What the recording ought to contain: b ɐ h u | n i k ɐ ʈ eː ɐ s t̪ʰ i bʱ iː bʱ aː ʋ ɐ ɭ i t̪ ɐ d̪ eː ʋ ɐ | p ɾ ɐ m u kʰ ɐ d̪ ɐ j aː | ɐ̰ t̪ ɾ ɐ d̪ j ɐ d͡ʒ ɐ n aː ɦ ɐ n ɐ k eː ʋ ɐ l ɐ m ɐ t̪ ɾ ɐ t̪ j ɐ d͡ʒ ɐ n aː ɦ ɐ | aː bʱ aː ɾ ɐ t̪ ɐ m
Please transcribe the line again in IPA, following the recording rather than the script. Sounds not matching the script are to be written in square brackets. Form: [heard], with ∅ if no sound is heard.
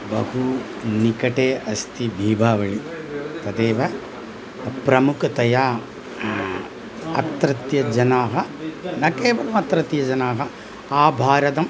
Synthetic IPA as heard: b ɐ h u | n i k ɐ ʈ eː ɐ s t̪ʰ i bʱ iː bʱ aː ʋ ɐ ɭ i t̪ ɐ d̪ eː ʋ ɐ | p ɾ ɐ m u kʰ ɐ [t̪] ɐ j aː | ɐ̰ t̪ ɾ ɐ [t̪] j ɐ d͡ʒ ɐ n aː ɦ ɐ n ɐ k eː ʋ ɐ l ɐ m ɐ t̪ ɾ ɐ t̪ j ɐ d͡ʒ ɐ n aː ɦ ɐ | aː bʱ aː ɾ ɐ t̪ ɐ m